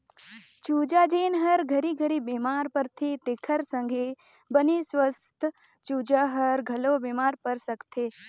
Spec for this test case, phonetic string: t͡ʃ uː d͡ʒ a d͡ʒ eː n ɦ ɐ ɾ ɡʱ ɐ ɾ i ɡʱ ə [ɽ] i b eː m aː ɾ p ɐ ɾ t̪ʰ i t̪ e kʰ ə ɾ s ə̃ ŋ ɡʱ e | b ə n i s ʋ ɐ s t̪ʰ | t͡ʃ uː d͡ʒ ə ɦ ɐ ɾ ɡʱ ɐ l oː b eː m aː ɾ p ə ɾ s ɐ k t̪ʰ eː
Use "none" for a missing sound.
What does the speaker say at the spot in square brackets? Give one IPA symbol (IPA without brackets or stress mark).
ɾ